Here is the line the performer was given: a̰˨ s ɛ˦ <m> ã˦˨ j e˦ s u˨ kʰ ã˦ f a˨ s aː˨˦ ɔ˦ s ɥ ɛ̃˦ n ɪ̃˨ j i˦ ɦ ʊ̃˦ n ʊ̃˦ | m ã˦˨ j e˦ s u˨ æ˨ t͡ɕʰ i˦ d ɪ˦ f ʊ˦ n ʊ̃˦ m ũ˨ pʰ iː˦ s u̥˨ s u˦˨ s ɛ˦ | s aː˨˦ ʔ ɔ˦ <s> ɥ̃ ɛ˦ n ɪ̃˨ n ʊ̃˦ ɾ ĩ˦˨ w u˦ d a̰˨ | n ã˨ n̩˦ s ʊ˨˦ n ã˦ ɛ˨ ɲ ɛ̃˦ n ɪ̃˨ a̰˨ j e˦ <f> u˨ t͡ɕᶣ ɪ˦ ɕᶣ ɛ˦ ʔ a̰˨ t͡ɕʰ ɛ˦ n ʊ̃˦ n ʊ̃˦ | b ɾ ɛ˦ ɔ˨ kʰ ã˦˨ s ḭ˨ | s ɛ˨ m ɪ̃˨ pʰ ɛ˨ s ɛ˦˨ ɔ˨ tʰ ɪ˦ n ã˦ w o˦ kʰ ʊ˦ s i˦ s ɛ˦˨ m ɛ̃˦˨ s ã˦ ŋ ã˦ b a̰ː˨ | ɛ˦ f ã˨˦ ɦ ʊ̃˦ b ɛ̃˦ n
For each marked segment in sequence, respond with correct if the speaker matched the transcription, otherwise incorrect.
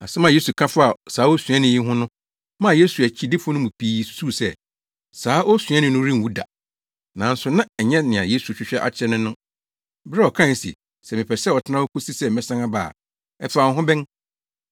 correct, correct, incorrect: s

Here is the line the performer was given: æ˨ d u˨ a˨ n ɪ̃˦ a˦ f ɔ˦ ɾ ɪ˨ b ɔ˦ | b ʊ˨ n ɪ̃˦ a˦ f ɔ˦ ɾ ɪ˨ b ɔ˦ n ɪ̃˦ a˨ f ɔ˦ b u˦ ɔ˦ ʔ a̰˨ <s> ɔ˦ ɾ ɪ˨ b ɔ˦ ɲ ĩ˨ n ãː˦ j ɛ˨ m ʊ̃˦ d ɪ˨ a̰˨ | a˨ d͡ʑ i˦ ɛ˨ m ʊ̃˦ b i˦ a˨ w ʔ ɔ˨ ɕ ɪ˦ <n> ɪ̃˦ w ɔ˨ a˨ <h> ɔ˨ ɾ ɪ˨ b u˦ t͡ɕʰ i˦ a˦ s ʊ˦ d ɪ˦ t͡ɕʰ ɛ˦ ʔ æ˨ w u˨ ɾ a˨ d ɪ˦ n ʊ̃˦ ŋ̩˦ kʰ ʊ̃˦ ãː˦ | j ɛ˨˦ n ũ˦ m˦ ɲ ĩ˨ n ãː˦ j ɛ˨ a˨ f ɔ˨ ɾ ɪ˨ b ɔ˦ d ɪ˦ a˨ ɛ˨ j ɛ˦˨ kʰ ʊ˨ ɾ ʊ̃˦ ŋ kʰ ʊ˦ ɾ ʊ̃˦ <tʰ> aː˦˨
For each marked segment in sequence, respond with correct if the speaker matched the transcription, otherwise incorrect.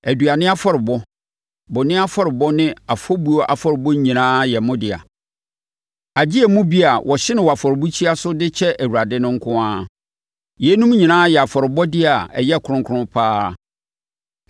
incorrect: f, correct, incorrect: f, incorrect: pʰ

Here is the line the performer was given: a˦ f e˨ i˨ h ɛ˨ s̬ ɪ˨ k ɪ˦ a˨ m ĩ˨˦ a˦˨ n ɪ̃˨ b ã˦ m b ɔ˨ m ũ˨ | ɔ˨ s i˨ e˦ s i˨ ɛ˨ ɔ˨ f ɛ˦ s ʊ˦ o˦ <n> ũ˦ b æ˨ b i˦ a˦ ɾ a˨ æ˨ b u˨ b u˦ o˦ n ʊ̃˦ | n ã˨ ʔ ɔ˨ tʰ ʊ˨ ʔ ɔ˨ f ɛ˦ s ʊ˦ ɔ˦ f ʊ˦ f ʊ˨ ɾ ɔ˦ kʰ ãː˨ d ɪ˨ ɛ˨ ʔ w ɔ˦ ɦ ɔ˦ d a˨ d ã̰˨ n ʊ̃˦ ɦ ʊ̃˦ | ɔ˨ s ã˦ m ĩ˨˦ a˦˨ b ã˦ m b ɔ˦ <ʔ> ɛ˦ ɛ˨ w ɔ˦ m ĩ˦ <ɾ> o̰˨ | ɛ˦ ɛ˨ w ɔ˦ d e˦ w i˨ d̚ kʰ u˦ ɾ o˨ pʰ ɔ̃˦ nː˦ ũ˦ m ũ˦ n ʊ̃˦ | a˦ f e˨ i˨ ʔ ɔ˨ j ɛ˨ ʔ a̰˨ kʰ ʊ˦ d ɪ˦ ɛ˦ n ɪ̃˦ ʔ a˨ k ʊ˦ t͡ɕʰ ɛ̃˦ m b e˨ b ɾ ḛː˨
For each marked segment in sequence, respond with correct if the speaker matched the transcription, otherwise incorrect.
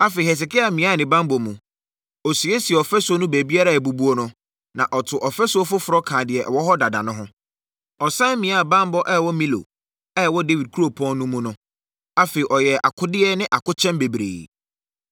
correct, correct, incorrect: l

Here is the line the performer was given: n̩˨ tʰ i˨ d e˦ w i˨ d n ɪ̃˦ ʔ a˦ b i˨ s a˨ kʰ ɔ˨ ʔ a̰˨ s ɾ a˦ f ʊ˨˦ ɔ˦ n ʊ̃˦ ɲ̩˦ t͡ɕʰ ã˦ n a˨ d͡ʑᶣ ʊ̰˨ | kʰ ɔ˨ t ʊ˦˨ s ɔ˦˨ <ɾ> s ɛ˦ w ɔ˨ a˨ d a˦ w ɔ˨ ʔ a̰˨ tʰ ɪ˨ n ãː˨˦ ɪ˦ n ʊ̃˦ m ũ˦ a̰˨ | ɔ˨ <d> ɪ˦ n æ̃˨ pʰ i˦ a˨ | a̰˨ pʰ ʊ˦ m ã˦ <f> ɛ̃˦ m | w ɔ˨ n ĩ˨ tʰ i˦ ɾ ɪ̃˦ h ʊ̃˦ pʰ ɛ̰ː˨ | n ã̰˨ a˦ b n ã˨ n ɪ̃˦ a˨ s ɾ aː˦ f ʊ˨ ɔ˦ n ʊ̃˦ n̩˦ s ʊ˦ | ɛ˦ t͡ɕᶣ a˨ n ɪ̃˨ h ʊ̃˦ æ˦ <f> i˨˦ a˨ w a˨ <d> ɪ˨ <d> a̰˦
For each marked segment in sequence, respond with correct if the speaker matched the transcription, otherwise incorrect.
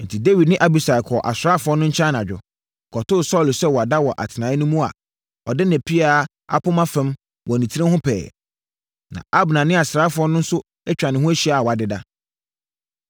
incorrect: l, correct, correct, incorrect: ɕ, correct, correct

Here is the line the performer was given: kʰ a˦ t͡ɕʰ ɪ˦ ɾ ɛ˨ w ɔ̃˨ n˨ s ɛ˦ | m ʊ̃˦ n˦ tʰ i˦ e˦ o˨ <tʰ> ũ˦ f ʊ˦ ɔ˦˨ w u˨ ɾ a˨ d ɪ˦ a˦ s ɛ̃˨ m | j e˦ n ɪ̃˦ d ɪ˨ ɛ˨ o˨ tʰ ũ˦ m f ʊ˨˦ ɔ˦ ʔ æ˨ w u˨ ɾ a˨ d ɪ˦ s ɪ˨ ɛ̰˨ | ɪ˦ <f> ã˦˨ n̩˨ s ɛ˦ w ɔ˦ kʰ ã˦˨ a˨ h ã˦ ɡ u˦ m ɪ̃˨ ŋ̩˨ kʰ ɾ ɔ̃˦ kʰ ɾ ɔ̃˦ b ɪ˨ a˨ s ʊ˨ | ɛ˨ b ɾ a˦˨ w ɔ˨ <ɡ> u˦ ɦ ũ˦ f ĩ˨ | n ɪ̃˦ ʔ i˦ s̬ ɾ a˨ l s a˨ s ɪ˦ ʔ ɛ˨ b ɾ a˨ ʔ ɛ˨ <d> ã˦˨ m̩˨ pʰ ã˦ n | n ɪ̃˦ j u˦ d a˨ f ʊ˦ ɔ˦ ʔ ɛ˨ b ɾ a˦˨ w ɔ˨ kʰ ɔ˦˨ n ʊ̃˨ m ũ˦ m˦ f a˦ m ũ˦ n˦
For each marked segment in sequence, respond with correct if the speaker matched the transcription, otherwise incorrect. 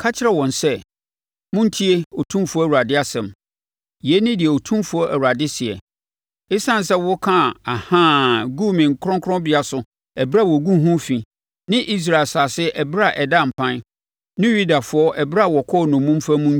correct, incorrect: s, correct, correct

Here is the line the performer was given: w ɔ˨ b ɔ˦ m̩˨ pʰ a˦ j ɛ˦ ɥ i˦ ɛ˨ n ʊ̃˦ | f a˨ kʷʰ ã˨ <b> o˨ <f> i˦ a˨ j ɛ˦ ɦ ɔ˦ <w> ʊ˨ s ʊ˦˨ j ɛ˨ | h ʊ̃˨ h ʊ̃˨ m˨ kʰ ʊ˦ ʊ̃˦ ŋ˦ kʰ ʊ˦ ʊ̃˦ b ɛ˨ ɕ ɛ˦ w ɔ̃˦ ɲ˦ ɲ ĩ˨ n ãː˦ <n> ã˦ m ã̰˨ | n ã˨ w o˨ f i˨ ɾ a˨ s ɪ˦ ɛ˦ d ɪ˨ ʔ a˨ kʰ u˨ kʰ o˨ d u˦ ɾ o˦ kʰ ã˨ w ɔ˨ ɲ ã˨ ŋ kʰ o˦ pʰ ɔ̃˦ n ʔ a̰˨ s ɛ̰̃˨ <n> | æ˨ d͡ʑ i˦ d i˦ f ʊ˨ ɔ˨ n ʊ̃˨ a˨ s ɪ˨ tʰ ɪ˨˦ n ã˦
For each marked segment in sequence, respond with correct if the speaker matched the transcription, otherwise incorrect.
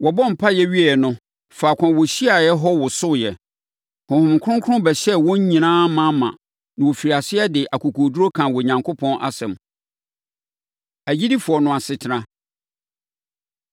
incorrect: w, incorrect: ɕ, correct, incorrect: m, incorrect: m

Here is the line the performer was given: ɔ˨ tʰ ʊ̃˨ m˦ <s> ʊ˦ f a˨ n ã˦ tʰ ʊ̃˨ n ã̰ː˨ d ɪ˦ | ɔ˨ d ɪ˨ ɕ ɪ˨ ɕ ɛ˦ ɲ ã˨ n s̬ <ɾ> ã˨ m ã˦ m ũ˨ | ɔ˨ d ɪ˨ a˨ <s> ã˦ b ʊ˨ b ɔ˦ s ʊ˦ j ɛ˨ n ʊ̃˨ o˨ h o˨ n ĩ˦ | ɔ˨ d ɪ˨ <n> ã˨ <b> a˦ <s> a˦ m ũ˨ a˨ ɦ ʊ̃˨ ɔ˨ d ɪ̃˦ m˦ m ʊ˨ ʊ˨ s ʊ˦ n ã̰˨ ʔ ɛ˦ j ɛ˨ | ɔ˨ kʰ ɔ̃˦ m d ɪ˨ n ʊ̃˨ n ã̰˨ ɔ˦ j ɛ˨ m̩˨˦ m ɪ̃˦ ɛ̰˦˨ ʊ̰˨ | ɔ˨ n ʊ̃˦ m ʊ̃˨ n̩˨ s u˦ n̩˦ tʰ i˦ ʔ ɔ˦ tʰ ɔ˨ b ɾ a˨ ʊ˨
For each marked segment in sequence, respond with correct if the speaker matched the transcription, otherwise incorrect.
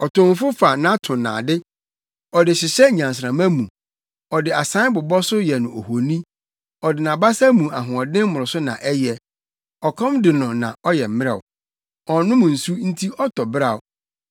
incorrect: f, correct, correct, correct, correct, correct

